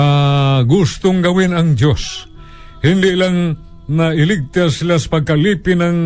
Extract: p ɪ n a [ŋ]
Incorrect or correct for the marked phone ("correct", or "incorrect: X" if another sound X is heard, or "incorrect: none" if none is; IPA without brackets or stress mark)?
correct